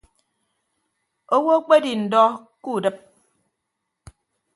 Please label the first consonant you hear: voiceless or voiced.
voiced